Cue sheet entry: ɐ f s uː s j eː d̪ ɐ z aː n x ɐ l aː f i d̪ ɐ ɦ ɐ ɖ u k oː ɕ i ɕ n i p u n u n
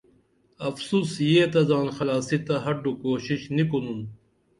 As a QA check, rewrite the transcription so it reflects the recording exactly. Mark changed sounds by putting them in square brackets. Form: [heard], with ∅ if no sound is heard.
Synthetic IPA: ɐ f s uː s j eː [t̪] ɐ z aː n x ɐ l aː [s] i [t̪] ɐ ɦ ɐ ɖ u k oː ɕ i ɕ n i [k] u n u n